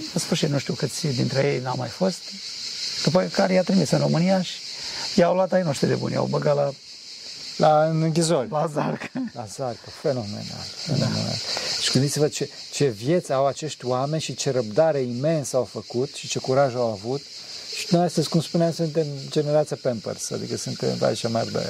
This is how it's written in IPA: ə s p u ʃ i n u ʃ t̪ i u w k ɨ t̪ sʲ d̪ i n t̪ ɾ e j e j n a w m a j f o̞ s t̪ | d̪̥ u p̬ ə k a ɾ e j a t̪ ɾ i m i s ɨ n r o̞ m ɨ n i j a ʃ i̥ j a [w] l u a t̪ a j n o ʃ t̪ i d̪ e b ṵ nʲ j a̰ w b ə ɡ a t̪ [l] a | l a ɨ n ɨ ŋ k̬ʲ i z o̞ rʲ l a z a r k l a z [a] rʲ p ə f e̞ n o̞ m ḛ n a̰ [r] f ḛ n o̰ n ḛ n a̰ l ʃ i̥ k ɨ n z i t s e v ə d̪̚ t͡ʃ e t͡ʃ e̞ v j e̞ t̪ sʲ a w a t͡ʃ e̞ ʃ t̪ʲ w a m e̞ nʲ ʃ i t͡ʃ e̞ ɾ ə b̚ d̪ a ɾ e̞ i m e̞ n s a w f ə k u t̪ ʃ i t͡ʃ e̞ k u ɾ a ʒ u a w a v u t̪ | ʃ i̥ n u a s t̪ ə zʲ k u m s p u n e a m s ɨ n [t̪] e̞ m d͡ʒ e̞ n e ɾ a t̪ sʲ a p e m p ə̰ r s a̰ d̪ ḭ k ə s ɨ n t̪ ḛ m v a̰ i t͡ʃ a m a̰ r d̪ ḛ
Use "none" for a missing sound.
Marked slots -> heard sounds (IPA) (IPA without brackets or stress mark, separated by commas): w, l, a, l, t̪